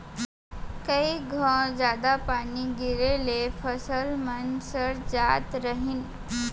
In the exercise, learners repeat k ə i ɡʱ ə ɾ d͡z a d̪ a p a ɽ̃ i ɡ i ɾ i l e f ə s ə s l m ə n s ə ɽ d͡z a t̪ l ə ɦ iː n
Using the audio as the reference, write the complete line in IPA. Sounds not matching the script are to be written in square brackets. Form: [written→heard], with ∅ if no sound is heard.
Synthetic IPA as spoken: k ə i ɡʱ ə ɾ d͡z a d̪ a p a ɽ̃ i ɡ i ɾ [i→e] l e f ə s ə [s→∅] l m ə n s ə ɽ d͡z a t̪ [l→ɾ] ə ɦ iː n